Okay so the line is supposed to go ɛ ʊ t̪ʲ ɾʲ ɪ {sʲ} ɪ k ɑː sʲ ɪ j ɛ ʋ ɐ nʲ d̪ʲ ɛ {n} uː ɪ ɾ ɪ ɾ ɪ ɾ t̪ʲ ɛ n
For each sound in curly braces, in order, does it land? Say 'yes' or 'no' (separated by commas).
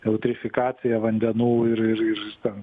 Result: no, yes